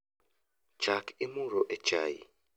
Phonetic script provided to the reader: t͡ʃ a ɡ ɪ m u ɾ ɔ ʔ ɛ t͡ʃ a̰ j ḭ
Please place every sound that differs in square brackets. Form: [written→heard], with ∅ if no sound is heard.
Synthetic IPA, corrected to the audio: t͡ʃ a [ɡ→k] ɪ m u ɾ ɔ ʔ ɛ t͡ʃ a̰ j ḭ